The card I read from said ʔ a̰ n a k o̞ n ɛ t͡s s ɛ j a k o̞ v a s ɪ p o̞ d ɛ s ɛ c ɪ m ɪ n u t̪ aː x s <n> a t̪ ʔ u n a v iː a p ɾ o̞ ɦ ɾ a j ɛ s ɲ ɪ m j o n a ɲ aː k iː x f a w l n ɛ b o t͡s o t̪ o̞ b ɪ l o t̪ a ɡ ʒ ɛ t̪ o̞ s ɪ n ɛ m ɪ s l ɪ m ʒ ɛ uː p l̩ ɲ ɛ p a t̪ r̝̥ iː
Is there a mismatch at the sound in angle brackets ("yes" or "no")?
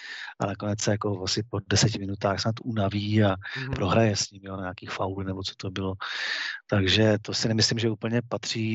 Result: no